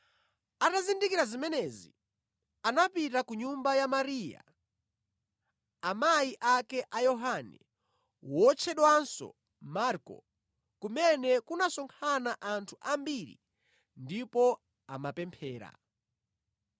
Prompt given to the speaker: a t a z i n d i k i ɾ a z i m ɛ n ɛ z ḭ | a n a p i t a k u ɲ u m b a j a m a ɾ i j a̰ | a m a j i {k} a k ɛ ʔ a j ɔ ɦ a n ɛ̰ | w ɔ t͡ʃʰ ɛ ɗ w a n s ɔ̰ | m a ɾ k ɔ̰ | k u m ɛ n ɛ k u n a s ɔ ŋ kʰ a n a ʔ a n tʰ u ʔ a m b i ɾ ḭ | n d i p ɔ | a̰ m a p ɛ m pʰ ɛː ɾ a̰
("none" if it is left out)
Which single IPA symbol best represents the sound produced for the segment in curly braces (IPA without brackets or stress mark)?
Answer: ʔ